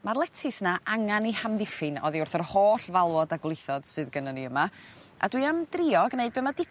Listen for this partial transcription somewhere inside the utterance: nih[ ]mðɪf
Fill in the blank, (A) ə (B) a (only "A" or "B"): B